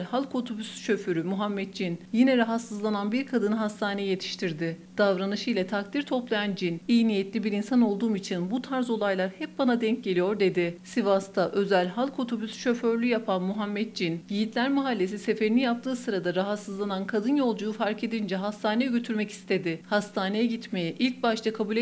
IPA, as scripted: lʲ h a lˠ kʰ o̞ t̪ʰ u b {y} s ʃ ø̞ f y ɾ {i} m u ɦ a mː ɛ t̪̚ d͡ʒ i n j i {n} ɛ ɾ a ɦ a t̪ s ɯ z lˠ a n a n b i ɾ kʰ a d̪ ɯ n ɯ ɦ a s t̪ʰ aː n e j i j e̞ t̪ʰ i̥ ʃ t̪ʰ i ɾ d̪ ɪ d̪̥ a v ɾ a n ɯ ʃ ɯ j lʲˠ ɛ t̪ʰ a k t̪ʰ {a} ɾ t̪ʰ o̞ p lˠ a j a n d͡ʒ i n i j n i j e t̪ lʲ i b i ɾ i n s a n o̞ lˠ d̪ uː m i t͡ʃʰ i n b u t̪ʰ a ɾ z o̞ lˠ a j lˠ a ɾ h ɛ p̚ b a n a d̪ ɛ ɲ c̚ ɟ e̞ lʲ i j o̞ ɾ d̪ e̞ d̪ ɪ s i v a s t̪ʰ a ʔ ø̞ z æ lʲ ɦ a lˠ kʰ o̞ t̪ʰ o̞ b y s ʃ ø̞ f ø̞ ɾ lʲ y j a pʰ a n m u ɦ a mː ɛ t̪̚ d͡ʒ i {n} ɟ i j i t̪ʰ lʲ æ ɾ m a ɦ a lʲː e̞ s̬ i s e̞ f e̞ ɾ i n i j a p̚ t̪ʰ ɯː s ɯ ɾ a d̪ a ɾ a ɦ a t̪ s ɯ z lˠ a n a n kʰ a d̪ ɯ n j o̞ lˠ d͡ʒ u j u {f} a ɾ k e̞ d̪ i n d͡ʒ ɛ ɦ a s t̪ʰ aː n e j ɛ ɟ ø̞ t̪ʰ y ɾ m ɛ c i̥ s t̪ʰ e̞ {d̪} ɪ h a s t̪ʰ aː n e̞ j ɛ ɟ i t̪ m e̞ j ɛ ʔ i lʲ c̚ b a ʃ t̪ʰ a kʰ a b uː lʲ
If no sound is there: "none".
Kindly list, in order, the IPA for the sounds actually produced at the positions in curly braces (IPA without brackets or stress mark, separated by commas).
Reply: y, y, n, i, n, f, d̪